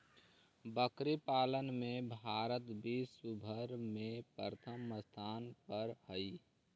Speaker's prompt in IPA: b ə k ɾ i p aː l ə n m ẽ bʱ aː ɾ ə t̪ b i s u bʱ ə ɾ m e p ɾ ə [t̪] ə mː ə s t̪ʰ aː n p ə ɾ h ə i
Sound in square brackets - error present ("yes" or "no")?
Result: yes